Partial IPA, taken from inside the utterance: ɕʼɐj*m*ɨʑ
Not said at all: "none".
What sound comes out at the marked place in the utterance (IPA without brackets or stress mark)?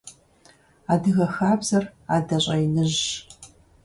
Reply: n